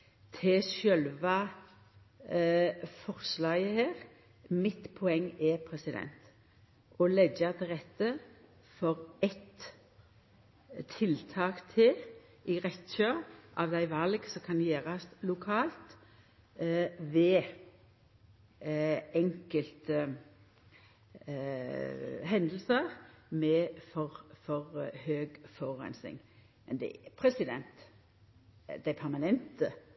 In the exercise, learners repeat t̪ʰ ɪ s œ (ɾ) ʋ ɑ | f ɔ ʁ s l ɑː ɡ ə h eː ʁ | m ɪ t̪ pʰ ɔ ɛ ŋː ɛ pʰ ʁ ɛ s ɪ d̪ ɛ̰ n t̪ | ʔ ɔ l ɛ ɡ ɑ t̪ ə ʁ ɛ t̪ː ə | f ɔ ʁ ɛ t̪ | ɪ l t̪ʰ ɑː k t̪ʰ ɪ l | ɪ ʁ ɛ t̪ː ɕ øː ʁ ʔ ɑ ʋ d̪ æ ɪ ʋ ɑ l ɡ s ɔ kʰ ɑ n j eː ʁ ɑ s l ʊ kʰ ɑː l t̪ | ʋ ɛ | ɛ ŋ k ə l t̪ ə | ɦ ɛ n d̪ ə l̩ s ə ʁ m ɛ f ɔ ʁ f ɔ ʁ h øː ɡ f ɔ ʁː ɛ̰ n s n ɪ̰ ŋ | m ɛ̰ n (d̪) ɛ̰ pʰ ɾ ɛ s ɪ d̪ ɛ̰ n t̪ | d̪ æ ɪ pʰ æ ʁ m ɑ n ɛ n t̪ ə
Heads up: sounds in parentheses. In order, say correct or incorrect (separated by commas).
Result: incorrect, correct